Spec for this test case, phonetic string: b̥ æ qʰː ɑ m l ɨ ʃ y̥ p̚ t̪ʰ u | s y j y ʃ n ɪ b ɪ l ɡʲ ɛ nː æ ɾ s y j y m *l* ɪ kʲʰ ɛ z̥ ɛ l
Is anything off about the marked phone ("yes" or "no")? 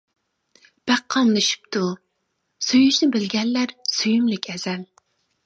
no